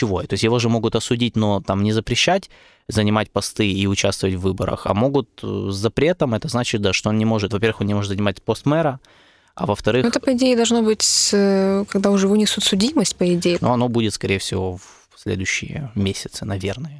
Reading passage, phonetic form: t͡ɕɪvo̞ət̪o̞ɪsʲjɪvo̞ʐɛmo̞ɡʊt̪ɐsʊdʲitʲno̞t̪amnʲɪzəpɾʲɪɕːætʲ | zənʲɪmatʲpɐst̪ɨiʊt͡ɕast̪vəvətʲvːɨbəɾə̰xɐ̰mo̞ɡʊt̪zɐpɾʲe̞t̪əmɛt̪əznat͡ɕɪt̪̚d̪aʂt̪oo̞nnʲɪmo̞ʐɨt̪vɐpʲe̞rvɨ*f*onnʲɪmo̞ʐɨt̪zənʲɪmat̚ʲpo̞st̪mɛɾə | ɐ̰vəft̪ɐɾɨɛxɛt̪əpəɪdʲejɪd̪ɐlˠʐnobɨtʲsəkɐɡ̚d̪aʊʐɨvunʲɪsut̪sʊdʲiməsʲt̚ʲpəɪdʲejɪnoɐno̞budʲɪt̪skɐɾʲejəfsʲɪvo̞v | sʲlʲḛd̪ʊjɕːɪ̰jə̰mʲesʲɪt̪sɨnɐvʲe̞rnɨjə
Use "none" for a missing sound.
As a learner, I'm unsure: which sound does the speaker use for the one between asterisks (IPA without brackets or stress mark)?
x